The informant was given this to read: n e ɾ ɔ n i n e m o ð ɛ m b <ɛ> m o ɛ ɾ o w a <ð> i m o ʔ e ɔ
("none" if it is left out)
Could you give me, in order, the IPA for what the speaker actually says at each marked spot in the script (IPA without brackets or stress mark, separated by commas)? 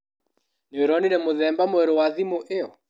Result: a, ð